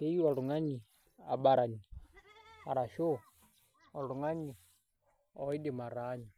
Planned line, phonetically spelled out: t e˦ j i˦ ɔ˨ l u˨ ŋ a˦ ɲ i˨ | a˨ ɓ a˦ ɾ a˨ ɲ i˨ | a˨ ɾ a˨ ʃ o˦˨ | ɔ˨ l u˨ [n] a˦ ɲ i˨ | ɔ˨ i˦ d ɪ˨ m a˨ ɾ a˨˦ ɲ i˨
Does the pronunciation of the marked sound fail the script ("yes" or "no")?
yes